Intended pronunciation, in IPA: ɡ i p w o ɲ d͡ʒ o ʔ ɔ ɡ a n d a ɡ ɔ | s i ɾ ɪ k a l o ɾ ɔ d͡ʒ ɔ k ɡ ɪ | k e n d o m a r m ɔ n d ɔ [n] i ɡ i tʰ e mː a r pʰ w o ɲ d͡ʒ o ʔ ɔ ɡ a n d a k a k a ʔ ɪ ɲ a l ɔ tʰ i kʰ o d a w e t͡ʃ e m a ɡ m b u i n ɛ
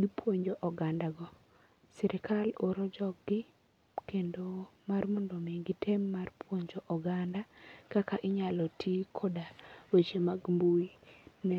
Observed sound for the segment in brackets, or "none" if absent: m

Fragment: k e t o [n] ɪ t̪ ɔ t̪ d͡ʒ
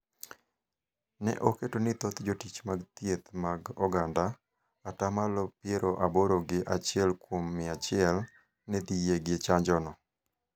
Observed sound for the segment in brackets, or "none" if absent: n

